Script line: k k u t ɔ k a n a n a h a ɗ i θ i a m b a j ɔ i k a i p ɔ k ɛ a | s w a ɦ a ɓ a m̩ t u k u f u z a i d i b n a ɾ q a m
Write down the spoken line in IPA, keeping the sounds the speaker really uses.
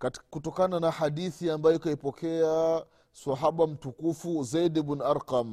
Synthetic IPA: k k u t ɔ k a n a n a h a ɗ i θ i a m b a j ɔ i k a i p ɔ k ɛ a | s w a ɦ a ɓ a m̩ t u k u f u z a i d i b n a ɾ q a m